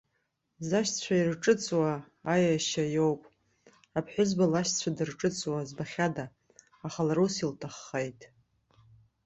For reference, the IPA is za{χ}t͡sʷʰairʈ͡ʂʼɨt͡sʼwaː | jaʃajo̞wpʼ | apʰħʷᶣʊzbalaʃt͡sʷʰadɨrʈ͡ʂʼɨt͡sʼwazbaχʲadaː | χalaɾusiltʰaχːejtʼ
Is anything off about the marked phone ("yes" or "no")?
yes